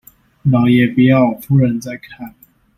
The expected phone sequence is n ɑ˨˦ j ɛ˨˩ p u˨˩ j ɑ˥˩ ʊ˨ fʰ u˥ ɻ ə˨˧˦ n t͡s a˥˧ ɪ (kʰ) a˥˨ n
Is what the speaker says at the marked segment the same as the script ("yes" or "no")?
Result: yes